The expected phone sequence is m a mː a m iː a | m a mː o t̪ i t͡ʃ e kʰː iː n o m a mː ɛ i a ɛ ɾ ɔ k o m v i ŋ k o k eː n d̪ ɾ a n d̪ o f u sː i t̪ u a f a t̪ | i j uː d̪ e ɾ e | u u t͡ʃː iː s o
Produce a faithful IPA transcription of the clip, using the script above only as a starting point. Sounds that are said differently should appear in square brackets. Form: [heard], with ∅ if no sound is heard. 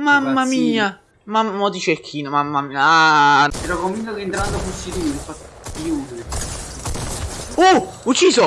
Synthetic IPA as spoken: m a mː a m iː a | m a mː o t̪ i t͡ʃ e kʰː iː n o m a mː [a] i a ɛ ɾ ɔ k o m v i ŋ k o k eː n [t̪] ɾ a n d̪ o f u sː i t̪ u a f a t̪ | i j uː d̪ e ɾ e | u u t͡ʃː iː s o

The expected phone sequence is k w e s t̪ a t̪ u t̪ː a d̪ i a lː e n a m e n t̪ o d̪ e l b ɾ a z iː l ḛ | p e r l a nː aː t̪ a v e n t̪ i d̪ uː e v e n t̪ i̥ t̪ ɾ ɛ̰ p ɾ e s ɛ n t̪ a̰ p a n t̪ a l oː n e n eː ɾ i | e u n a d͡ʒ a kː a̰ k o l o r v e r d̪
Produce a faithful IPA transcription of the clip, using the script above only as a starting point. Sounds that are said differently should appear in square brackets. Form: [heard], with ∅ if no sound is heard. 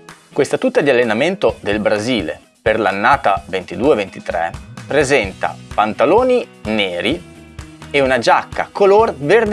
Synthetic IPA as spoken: k w e s t̪ a t̪ u t̪ː a d̪ i a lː e n a m e n t̪ o d̪ e l b ɾ a z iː l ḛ | p e r l a nː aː t̪ a v e n t̪ i d̪ uː e v e n t̪ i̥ t̪ ɾ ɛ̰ p ɾ e [z] ɛ n t̪ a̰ p a n t̪ a l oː n [i] n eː ɾ i | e u n a d͡ʒ a kː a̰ k o l o r v e r d̪

